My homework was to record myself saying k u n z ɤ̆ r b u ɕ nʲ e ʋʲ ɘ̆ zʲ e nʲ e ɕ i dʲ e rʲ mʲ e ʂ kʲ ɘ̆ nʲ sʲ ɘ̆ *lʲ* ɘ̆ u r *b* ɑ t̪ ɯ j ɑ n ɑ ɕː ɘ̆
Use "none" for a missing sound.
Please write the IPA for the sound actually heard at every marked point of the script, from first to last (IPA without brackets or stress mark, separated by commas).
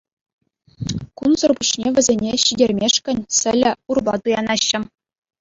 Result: lʲ, b